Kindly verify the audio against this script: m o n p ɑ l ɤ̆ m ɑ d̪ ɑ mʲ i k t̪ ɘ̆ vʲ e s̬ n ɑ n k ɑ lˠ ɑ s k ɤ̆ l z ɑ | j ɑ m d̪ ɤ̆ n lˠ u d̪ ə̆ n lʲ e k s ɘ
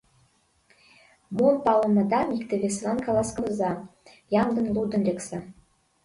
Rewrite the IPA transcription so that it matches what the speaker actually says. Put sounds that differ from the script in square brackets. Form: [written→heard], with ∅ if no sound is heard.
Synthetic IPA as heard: m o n p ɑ l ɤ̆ m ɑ d̪ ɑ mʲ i k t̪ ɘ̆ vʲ e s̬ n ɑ n k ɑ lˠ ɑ s k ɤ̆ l z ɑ | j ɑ m d̪ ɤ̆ n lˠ u d̪ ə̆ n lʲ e k s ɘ

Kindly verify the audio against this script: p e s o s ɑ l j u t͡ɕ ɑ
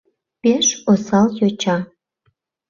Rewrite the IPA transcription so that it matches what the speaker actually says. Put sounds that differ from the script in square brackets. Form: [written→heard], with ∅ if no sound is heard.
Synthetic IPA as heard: p e [s→ʃ] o s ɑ l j [u→o] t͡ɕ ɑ

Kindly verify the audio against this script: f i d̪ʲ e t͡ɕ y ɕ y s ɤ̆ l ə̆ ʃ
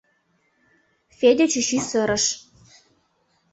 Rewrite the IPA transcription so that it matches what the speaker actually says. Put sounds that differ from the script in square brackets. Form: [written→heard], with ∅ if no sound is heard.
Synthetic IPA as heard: f [i→e] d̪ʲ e t͡ɕ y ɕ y s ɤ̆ [l→ɾ] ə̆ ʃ

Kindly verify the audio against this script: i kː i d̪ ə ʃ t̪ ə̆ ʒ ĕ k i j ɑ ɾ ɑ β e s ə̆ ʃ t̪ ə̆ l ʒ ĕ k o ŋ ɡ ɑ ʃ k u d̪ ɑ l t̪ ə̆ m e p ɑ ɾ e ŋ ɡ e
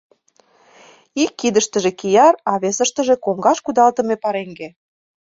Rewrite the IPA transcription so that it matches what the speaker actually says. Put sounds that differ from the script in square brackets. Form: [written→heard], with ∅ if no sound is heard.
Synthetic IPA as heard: i kː i d̪ ə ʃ t̪ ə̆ ʒ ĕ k i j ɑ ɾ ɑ β e s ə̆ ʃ t̪ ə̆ [l→∅] ʒ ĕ k o ŋ ɡ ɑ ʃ k u d̪ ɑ l t̪ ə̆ m e p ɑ ɾ e ŋ ɡ e

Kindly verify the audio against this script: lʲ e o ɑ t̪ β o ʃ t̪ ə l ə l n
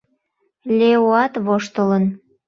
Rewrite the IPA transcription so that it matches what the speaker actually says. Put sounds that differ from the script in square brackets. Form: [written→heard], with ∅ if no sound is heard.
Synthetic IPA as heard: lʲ e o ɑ t̪ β o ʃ t̪ ə l ə [l→∅] n

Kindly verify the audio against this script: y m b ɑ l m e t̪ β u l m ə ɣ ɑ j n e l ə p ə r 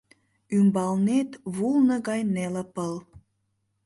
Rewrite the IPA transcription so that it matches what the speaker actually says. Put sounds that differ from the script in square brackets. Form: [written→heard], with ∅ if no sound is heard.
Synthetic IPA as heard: y m b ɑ l [m→n] e t̪ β u l [m→n] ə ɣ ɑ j n e l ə p ə [r→l]

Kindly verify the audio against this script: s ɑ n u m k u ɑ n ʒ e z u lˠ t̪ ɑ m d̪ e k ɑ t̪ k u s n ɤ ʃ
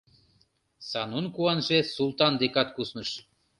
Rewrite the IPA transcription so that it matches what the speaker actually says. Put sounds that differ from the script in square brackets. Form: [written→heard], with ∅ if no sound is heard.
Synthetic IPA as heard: s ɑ n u [m→n] k u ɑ n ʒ e [z→s] u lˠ t̪ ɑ [m→n] d̪ e k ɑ t̪ k u s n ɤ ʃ

